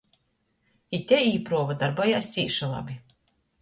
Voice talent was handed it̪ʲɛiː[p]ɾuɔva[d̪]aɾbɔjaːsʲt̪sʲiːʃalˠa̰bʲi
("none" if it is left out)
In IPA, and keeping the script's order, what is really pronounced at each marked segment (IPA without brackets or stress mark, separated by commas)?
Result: p, d̪